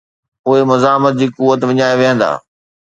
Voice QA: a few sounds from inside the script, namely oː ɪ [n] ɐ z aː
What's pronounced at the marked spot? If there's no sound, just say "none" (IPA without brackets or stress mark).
m